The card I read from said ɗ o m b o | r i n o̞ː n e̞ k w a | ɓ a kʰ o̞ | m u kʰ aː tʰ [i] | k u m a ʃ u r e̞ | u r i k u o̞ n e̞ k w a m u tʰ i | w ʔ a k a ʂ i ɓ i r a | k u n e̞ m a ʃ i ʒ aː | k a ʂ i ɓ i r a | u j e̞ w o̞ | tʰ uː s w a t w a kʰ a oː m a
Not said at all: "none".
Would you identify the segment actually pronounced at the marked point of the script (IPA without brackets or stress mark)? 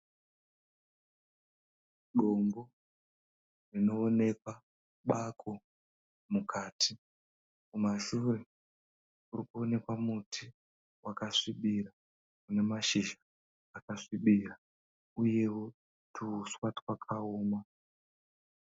i